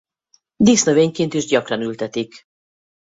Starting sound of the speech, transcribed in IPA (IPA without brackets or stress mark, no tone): d̪